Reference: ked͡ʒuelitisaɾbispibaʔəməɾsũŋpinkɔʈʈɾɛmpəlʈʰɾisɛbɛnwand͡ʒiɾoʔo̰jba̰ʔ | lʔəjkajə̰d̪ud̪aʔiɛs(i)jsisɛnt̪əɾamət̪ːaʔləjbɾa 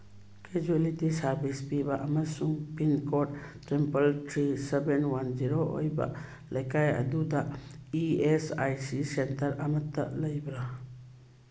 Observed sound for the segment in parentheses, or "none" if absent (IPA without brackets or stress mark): a